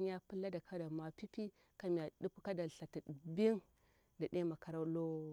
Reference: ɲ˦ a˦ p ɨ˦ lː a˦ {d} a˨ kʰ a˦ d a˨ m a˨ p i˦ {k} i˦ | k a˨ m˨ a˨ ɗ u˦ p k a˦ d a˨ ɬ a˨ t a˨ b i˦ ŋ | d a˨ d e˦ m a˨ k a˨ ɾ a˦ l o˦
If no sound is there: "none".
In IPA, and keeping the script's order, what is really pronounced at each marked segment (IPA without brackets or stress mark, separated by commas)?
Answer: d, p